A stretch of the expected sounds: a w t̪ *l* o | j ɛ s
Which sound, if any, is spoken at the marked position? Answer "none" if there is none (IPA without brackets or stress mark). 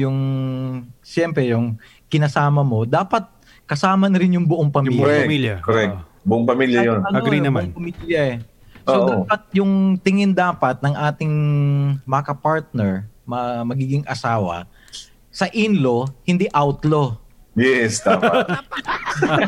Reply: l